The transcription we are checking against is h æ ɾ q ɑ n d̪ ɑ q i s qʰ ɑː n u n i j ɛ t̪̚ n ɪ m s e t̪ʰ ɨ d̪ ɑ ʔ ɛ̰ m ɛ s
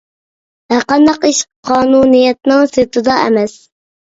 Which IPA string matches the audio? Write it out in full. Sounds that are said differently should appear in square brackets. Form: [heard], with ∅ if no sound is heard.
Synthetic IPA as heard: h æ ɾ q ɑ n d̪ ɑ q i [ʃ] qʰ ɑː n u n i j ɛ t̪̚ n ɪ [ŋ] s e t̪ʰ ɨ d̪ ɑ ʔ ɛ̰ m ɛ s